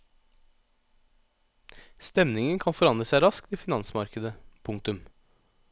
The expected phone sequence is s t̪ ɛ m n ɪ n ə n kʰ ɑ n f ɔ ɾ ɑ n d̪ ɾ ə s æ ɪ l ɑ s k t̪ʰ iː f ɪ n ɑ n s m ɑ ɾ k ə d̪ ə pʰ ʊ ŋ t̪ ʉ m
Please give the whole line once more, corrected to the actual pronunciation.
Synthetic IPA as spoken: s t̪ ɛ m n ɪ ŋ ə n kʰ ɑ n f ɔ ɾ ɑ n d̪ ɾ ə s æ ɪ ɾ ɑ s k t̪ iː f ɪ n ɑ n s m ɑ ɾ k ə d̪ ə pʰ ʊ ŋ t̪ ʉ m